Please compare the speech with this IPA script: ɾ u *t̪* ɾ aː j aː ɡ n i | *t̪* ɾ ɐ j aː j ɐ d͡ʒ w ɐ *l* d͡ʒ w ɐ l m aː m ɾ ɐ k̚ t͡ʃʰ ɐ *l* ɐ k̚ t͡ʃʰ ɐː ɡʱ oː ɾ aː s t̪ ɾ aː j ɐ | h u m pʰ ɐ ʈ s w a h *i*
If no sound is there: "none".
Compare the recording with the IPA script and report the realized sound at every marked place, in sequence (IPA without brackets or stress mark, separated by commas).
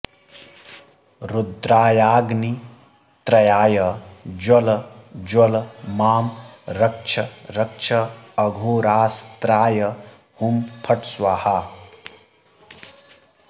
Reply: d̪, t̪, l, ɾ, a